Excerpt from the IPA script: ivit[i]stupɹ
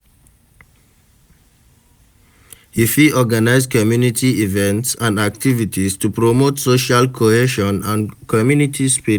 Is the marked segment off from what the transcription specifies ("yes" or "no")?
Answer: no